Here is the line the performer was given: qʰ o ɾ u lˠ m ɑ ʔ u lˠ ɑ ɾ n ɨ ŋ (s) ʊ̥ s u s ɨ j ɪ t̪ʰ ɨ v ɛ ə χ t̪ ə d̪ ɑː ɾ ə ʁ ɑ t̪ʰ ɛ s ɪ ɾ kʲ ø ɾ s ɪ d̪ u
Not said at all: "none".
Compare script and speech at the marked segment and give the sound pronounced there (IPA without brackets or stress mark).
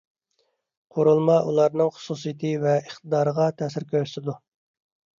χ